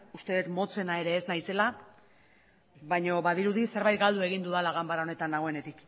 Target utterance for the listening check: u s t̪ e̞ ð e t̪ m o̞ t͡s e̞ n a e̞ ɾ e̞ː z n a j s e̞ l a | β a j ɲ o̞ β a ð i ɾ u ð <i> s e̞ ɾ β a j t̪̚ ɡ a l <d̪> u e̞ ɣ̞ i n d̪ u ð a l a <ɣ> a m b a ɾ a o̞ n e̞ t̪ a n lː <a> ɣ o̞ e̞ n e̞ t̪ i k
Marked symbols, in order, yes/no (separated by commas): yes, yes, yes, yes